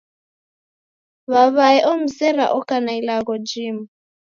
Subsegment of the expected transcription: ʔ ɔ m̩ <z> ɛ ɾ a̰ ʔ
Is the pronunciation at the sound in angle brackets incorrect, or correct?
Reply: incorrect: s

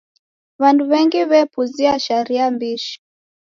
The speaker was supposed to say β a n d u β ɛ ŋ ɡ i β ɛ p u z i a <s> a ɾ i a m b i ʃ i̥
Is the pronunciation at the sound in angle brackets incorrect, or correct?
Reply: incorrect: ʃ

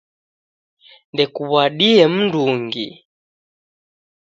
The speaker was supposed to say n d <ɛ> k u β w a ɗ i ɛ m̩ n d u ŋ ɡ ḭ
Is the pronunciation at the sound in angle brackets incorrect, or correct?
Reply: correct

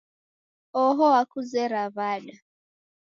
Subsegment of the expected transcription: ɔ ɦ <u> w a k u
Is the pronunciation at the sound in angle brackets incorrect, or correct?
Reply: incorrect: ɔ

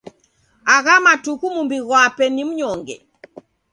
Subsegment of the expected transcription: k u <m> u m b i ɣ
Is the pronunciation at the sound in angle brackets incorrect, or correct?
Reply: correct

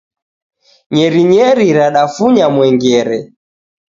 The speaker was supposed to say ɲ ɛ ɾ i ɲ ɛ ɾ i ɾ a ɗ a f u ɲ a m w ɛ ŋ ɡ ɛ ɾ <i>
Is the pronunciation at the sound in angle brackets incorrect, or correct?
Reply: incorrect: ɛ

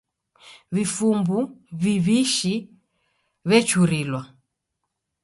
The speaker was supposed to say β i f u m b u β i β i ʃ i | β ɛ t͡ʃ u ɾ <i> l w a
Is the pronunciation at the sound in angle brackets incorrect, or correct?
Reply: correct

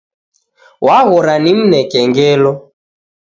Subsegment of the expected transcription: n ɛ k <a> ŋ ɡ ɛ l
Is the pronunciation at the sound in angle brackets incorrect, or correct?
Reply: incorrect: ɛ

